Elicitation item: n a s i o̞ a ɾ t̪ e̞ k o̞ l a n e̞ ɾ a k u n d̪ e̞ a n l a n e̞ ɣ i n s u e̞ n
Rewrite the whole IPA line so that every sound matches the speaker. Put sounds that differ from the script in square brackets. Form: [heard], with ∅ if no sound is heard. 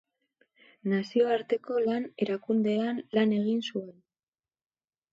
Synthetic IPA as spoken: n a s i o̞ a ɾ t̪ e̞ k o̞ l a n e̞ ɾ a k u n d̪ e̞ a n l a n e̞ ɣ i n s u e̞ n